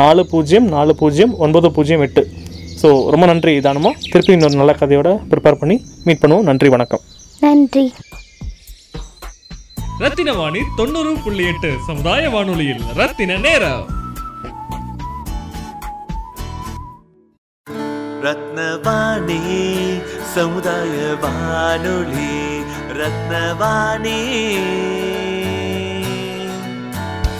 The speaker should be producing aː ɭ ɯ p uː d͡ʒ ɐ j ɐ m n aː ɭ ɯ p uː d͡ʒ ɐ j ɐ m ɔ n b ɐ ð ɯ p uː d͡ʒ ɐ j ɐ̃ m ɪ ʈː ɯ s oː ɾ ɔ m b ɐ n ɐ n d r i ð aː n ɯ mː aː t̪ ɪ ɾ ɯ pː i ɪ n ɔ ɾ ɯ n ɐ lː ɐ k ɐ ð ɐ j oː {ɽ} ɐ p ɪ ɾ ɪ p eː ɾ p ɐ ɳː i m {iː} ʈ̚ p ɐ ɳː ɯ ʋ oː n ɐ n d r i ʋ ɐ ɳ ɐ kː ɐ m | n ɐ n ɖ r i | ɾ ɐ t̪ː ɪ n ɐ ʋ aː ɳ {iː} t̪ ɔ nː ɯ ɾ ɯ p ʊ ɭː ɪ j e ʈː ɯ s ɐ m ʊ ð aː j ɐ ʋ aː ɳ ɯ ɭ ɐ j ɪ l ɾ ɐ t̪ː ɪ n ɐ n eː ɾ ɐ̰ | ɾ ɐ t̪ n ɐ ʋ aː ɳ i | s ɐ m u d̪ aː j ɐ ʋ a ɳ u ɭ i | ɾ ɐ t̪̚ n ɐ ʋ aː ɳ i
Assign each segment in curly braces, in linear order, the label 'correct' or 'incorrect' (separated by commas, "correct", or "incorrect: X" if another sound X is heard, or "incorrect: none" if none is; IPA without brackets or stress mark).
correct, correct, incorrect: i